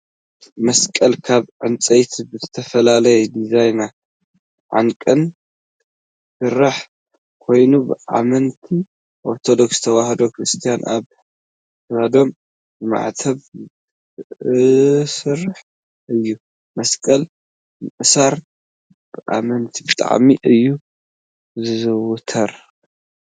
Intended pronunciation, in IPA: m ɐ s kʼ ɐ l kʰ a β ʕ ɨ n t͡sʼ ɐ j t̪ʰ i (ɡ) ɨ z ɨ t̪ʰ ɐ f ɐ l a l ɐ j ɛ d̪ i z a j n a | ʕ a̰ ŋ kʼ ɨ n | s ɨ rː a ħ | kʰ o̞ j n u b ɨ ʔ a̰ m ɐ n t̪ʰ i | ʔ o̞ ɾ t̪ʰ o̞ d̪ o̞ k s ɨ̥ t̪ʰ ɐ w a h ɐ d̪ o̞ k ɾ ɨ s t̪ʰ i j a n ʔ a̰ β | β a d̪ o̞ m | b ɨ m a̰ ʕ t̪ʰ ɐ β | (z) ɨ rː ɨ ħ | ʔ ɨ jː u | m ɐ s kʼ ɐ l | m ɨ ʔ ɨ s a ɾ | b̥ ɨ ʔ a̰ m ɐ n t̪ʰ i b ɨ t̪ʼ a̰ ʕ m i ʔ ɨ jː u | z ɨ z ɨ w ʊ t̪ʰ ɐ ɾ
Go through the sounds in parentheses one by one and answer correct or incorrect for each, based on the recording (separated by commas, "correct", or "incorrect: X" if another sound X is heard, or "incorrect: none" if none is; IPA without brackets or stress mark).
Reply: incorrect: b, incorrect: s